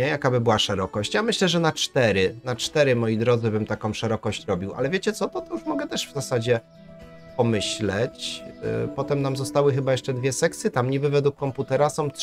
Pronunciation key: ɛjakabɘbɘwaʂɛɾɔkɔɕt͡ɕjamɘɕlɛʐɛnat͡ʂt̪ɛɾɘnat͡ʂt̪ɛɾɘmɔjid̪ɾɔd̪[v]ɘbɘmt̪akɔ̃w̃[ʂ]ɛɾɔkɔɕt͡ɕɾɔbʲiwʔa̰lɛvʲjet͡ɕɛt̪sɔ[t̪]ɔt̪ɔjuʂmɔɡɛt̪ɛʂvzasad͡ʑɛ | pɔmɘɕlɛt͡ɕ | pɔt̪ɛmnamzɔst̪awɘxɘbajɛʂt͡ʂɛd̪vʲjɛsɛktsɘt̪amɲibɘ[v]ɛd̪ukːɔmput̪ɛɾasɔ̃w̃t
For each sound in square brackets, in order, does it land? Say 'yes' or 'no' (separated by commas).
no, yes, yes, yes